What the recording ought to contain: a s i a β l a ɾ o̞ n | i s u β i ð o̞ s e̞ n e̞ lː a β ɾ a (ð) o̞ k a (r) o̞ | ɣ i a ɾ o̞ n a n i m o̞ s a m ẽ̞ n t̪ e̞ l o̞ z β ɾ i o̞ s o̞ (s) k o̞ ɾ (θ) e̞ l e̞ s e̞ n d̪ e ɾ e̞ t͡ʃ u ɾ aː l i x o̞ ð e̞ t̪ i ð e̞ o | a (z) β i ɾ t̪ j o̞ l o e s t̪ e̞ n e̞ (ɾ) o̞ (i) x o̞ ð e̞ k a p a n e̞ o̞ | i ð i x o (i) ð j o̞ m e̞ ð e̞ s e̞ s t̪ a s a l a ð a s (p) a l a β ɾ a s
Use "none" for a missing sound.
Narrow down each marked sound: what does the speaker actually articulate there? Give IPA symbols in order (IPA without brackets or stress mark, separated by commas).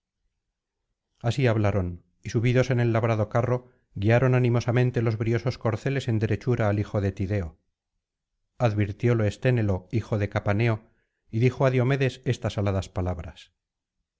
ð, r, s, θ, ð, l, i, a, p